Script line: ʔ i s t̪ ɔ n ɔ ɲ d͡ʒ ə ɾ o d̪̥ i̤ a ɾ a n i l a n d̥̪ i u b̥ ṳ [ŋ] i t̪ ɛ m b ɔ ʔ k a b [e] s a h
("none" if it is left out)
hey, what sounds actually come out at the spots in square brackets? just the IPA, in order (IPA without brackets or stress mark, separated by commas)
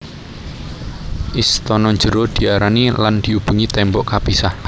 ŋ, i